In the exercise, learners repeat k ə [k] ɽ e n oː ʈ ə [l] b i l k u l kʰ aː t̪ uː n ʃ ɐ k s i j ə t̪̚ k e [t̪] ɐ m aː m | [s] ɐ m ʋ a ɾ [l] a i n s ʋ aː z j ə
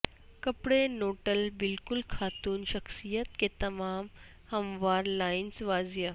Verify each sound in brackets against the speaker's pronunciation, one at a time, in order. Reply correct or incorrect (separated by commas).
incorrect, correct, correct, incorrect, correct